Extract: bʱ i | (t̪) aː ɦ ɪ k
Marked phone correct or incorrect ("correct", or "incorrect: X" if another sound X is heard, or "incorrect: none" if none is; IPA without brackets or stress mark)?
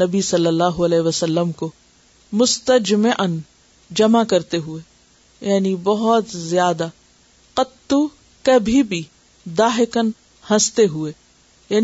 incorrect: d̪